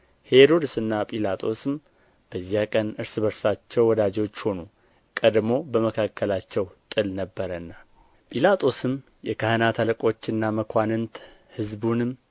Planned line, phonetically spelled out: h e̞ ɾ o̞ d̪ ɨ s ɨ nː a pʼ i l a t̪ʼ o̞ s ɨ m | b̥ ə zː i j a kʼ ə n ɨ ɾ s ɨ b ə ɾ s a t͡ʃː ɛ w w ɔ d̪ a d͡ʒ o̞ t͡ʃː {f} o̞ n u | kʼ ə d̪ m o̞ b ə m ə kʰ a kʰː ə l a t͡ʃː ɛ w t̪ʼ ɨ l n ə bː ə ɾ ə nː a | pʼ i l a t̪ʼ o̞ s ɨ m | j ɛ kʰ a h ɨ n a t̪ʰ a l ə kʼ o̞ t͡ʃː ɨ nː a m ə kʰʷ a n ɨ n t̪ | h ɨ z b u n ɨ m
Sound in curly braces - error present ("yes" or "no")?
yes